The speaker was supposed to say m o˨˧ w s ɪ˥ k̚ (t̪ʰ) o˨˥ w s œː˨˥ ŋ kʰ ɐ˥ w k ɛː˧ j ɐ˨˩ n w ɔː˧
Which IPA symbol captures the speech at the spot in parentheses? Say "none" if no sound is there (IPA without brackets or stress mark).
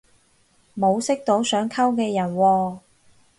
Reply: t̪